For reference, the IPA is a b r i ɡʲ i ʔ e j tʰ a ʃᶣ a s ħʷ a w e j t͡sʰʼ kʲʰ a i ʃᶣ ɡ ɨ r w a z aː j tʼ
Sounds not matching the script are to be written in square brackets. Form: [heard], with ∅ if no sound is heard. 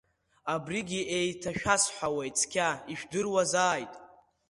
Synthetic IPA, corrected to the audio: a b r i ɡʲ i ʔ e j tʰ a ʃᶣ a s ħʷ a w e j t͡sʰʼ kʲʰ a i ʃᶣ [d] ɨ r w a z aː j tʼ